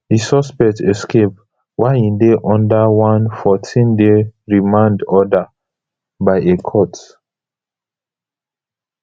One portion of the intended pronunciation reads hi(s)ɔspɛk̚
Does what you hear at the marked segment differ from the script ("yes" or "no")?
no